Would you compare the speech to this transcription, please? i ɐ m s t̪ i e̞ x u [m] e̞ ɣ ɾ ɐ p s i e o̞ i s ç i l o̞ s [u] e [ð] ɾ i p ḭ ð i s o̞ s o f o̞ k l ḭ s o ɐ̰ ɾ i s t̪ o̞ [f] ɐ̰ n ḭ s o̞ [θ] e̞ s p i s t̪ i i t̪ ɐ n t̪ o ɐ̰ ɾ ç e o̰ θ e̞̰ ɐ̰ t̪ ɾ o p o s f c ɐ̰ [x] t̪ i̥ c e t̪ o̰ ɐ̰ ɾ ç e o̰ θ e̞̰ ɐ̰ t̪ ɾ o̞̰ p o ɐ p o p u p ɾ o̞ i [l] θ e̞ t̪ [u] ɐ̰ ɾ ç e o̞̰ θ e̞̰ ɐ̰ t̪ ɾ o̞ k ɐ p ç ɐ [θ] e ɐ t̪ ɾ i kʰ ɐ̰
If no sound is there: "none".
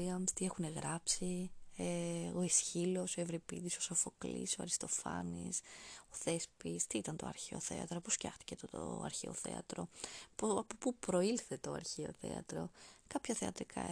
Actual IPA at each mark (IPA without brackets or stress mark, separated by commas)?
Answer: n, o, v, f, θ, x, l, o, θ